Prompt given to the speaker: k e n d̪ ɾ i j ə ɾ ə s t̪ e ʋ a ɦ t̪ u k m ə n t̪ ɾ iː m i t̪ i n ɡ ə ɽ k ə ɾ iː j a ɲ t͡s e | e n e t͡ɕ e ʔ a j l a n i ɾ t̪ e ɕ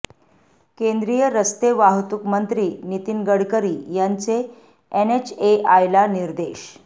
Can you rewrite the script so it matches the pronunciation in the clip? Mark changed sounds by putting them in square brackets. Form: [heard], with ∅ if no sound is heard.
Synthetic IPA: k e n d̪ ɾ i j ə ɾ ə s t̪ e ʋ a ɦ t̪ u k m ə n t̪ ɾ iː [n] i t̪ i n ɡ ə ɽ k ə ɾ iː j a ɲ t͡s e | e n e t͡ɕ e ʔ a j l a n i ɾ [d̪] e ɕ